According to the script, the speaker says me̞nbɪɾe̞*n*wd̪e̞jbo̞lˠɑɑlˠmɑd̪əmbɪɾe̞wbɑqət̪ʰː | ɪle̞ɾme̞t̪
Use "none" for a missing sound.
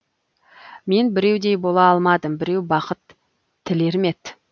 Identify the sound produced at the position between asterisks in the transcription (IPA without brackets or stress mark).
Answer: none